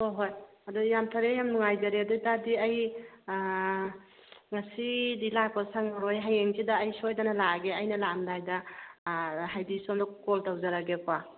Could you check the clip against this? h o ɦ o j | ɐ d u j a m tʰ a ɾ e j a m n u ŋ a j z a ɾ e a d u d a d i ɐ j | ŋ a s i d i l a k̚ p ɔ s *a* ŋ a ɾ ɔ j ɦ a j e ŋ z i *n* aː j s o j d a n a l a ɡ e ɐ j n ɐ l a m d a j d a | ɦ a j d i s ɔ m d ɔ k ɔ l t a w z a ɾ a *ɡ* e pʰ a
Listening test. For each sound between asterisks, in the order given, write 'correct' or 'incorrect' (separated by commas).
correct, incorrect, correct